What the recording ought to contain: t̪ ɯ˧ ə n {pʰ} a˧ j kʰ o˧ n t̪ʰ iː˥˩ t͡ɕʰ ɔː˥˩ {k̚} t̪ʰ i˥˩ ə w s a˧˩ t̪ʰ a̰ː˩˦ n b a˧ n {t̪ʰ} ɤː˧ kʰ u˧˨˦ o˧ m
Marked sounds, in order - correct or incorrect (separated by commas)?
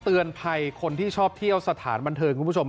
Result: correct, incorrect, correct